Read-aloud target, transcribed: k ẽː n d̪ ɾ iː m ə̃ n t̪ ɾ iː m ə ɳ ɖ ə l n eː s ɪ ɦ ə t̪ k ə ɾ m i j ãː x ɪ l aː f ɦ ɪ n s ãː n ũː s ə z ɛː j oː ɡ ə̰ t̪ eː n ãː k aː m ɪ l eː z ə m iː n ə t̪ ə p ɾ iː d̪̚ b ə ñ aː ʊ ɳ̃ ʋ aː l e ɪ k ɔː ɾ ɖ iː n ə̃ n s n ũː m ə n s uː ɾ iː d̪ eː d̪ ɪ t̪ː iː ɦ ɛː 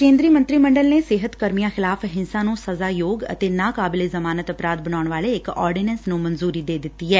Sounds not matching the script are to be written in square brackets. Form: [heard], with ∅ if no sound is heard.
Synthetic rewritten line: k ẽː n d̪ ɾ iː m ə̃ n t̪ ɾ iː m ə ɳ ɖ ə l n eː s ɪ ɦ ə t̪ k ə ɾ m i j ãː x ɪ l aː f ɦ ɪ n s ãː n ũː s ə z [aː] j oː ɡ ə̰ t̪ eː n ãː k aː [b] ɪ l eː z ə m [aː] n ə t̪ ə p ɾ [aː] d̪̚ b ə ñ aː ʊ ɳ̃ ʋ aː l e ɪ k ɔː ɾ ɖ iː n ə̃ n s n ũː m ə n [z] uː ɾ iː d̪ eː d̪ ɪ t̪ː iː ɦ ɛː